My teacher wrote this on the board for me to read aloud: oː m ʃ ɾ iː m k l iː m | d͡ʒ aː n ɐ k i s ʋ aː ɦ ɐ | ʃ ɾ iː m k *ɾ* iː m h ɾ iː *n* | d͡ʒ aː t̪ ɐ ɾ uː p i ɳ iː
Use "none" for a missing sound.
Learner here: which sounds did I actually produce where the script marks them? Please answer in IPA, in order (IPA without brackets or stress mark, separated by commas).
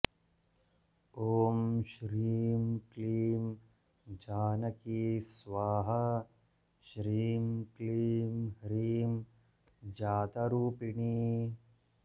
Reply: l, m